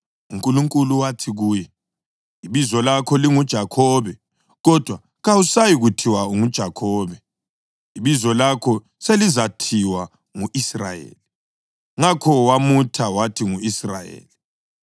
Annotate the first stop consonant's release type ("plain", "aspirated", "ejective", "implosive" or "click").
ejective